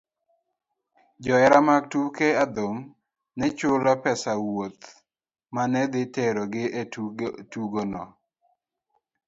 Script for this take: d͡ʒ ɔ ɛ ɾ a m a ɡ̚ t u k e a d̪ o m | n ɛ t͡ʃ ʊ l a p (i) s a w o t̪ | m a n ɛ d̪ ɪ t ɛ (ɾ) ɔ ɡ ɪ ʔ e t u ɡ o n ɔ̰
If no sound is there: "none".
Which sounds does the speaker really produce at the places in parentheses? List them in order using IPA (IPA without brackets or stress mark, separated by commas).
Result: ɛ, ɾ